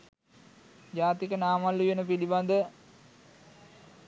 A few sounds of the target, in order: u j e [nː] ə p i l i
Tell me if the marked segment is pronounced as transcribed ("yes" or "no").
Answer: no